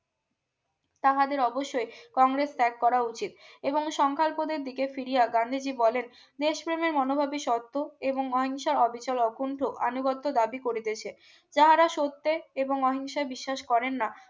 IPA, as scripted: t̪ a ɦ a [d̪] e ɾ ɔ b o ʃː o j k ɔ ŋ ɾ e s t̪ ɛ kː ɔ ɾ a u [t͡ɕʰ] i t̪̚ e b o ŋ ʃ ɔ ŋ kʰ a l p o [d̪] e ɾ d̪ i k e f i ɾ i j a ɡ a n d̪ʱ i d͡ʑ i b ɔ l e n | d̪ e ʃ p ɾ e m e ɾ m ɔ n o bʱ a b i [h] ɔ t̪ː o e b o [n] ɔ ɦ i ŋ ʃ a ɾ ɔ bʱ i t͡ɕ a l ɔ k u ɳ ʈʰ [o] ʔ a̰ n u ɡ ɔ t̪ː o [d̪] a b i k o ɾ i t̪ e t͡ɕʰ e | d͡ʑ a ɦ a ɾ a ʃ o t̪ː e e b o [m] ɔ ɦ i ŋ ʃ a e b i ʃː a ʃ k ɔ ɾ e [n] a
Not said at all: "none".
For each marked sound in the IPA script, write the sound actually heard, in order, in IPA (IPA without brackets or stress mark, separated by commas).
d̪, t͡ɕ, d̪, ʃ, ŋ, o, d̪, ŋ, nː